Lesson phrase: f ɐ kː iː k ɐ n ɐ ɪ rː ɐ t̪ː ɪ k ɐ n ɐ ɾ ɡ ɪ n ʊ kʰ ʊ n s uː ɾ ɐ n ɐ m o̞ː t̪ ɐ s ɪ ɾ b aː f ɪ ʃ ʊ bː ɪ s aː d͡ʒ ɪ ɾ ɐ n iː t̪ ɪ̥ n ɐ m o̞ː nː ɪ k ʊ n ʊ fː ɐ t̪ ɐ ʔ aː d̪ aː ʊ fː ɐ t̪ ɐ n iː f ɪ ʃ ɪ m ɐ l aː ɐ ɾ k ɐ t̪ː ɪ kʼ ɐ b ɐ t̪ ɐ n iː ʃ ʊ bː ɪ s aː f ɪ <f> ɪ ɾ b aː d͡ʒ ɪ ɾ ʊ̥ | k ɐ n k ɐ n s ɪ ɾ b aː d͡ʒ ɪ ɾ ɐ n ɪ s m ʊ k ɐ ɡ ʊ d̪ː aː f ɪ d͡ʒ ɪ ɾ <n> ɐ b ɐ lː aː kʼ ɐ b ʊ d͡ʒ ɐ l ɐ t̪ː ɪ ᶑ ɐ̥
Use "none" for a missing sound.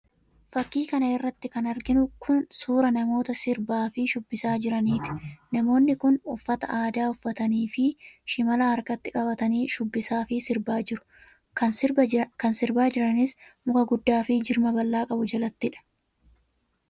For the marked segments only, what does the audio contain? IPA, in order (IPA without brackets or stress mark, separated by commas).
s, m